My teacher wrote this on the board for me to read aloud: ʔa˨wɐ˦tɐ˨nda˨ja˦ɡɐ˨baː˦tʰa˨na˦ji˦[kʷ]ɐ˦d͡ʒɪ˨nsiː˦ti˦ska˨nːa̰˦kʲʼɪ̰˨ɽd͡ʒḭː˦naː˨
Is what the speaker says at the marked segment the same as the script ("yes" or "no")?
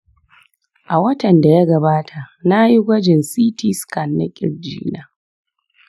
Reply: no